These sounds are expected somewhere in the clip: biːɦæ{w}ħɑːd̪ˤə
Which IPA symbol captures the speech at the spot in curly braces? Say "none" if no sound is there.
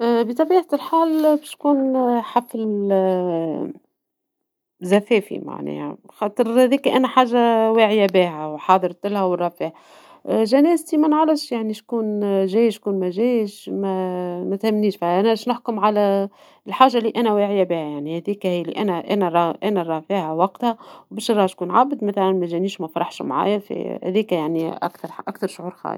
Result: w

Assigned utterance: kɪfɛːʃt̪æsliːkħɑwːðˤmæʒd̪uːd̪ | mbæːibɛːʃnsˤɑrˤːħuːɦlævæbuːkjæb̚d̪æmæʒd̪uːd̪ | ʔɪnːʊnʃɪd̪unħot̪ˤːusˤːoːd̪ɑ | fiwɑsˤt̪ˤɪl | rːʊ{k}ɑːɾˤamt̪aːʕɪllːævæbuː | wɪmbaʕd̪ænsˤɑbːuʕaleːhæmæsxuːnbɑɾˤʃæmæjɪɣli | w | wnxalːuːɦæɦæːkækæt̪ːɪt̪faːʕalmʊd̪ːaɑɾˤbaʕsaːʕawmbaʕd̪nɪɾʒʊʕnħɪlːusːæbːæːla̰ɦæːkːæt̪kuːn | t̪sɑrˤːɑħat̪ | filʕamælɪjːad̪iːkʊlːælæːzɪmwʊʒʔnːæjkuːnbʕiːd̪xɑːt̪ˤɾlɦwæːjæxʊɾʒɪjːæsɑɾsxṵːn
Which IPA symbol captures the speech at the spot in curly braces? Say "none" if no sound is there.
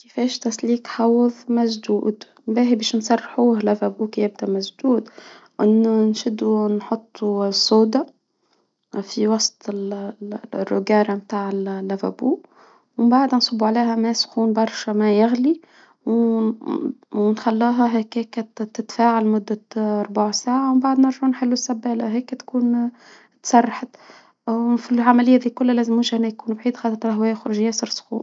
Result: ɡ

